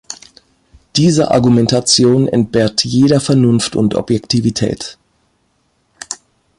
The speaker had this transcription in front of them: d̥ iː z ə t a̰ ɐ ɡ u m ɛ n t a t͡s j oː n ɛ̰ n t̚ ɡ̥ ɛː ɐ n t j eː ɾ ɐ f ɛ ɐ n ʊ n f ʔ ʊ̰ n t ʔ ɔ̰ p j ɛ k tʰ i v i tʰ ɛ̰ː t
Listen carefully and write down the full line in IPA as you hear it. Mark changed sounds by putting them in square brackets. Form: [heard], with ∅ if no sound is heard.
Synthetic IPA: d̥ iː z ə [ʔ] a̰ ɐ ɡ u m ɛ n t a t͡s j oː n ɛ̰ n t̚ [b̥] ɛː ɐ [∅] t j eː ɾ ɐ f ɛ ɐ n ʊ n f [t] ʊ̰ n t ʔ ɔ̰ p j ɛ k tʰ i v i tʰ ɛ̰ː t